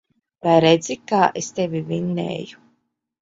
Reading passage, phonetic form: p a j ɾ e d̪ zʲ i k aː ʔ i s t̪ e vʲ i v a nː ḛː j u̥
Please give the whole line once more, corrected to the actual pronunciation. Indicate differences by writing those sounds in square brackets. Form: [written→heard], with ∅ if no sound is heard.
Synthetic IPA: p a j ɾ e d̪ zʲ i k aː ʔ [i→e] s t̪ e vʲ i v [a→i] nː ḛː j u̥